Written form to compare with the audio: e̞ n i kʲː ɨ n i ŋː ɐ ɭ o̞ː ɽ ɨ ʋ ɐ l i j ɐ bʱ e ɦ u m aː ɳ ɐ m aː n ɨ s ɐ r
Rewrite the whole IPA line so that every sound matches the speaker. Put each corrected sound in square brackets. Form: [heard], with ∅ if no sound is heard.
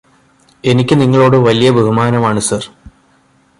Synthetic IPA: e̞ n i kʲː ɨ n i ŋː ɐ ɭ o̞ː ɽ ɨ ʋ ɐ l i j ɐ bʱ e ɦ u m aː [n] ɐ m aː [ɳ] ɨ s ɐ r